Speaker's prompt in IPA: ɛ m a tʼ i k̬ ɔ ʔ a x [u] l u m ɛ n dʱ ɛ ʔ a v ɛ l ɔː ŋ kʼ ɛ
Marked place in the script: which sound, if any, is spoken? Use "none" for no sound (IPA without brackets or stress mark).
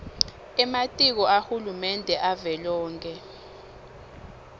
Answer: u